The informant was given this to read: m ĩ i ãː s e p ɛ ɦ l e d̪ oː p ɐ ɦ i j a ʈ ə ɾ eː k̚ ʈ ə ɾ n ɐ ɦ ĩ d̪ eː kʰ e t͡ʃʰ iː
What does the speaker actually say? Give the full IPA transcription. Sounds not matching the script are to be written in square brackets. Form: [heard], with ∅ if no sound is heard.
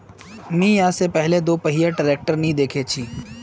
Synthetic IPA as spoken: m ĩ [j] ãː s e p ɛ ɦ l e d̪ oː p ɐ ɦ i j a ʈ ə ɾ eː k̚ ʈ ə ɾ n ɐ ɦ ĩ d̪ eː kʰ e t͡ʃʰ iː